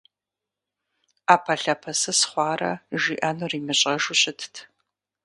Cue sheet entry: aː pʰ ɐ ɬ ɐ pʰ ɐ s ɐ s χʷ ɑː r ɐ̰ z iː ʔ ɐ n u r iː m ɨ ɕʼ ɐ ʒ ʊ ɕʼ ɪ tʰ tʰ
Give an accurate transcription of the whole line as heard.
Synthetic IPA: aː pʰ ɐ ɬ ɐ pʰ ɐ s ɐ s χʷ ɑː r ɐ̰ ʒ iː ʔ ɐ n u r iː m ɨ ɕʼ ɐ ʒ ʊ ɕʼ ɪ tʰ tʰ